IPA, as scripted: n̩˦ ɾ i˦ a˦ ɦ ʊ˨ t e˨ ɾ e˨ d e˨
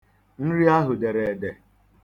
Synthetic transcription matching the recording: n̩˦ ɾ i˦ a˦ ɦ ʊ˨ d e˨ ɾ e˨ d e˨